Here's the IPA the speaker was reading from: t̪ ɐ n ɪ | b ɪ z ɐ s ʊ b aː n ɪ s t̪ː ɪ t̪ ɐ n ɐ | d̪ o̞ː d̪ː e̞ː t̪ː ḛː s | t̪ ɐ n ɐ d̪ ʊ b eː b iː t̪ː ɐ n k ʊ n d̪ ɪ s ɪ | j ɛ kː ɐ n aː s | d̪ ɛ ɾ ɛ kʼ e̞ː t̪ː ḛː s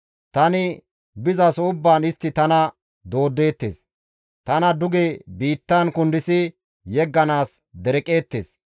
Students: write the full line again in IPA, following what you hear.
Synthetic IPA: t̪ ɐ n ɪ | b ɪ z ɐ s ʊ bː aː n ɪ s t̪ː ɪ t̪ ɐ n ɐ | d̪ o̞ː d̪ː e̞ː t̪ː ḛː s | t̪ ɐ n ɐ d̪ ʊ ɡ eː b iː t̪ː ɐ n k ʊ n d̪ ɪ s ɪ | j ɛ ɡː ɐ n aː s | d̪ ɛ ɾ ɛ kʼ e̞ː t̪ː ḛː s